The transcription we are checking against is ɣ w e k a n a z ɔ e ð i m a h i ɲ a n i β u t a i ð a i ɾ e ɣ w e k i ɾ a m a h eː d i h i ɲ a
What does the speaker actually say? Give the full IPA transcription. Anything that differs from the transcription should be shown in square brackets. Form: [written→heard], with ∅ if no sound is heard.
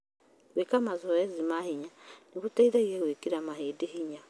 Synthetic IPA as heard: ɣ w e k a [n→m] a z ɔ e [ð→z] i m a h i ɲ a n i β u t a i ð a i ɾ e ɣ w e k i ɾ a m a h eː d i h i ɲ a